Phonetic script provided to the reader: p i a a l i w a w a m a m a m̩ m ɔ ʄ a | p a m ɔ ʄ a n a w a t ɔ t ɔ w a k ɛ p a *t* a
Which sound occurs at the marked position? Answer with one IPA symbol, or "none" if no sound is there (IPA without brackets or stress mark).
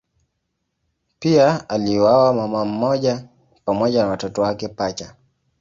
t͡ʃ